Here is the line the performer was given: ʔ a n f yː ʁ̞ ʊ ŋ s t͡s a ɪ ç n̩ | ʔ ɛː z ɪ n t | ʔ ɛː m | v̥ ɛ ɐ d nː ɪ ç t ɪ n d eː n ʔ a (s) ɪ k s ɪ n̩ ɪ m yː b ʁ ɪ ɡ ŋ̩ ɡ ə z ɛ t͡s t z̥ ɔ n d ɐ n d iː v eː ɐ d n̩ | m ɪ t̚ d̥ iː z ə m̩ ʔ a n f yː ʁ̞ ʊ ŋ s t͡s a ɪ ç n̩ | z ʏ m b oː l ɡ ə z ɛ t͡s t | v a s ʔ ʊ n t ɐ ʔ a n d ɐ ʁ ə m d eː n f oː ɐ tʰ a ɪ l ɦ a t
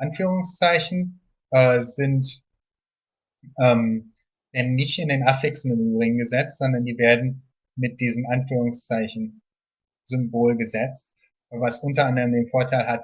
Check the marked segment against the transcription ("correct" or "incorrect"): incorrect